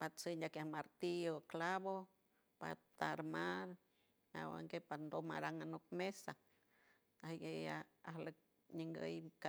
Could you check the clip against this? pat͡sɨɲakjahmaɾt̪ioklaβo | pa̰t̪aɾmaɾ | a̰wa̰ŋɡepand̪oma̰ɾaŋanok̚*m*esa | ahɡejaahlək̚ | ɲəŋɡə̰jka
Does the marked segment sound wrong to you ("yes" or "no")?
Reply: no